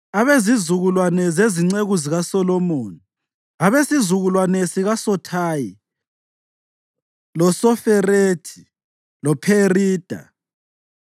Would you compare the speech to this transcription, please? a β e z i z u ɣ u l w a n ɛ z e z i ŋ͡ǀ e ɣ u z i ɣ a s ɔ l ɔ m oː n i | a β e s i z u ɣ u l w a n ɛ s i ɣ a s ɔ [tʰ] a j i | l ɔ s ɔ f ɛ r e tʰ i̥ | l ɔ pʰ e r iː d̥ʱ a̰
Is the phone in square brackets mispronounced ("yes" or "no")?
no